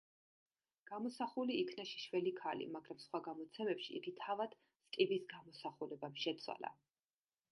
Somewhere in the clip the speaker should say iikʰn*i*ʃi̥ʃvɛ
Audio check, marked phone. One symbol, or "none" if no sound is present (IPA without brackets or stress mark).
a